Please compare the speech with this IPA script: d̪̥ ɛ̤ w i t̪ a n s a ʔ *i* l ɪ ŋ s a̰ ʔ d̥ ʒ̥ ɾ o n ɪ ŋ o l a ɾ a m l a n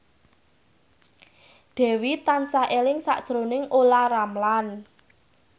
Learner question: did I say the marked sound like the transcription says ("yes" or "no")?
no